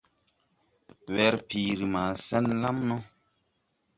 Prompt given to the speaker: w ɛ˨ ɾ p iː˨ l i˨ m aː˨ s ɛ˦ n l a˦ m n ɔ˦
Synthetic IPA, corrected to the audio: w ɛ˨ ɾ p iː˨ ɾ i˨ m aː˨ s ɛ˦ n l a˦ m n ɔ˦